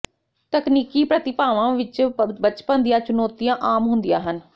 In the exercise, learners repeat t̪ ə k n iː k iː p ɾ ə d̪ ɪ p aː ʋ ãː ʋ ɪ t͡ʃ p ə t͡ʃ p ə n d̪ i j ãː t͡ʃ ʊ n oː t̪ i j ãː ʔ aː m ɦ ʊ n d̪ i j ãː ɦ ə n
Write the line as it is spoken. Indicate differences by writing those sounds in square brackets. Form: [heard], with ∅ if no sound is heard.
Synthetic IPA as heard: t̪ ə k n iː k iː p ɾ ə [t̪] ɪ p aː ʋ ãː ʋ ɪ t͡ʃ [b] ə t͡ʃ p ə n d̪ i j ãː t͡ʃ ʊ n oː t̪ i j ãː ʔ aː m ɦ ʊ n d̪ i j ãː ɦ ə n